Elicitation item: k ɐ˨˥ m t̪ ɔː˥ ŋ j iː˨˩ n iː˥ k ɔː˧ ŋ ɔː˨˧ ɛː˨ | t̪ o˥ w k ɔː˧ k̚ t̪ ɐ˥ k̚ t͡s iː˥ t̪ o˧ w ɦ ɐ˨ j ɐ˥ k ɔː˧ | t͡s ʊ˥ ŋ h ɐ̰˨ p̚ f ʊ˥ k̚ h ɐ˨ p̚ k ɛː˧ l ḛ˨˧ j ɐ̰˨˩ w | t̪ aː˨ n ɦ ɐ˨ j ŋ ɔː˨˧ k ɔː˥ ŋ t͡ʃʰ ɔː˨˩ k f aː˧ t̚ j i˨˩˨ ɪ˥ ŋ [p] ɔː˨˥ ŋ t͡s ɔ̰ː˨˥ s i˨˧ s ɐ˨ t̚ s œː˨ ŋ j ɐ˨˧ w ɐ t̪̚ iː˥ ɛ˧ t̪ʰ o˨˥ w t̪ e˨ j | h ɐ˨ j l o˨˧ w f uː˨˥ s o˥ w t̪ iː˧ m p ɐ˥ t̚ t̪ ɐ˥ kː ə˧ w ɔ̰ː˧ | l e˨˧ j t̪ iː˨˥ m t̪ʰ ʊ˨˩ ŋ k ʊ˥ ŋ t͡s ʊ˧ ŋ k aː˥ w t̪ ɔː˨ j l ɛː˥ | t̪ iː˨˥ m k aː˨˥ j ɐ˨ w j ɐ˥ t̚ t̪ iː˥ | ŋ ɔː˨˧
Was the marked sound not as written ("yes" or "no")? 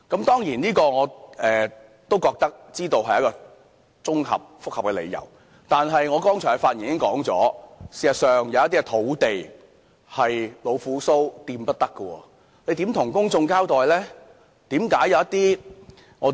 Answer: yes